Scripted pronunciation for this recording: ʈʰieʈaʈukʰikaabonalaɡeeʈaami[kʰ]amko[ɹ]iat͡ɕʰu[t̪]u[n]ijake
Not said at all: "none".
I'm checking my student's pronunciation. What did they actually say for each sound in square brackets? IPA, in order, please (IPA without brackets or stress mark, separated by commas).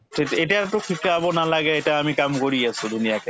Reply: k, ɾ, d̪, n